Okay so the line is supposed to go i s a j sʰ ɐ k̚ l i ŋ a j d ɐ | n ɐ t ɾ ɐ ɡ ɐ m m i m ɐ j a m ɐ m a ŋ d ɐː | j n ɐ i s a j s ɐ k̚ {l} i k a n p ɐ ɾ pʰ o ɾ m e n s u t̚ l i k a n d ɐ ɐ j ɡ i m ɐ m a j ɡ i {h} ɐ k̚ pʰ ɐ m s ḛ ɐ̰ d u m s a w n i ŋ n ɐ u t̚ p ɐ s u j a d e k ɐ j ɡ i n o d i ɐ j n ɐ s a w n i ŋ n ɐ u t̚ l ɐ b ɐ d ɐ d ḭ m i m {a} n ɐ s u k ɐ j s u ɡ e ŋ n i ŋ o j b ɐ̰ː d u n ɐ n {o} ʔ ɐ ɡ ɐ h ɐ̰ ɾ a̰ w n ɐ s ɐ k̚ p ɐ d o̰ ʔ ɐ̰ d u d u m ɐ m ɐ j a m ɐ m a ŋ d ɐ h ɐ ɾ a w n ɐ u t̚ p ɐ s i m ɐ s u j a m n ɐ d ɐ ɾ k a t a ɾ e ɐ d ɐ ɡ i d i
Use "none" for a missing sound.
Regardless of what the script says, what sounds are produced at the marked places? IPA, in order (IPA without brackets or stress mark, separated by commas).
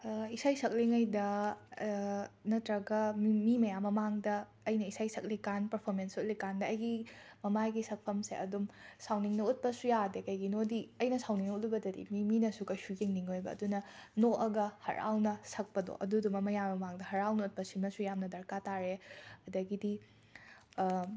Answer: l, s, i, o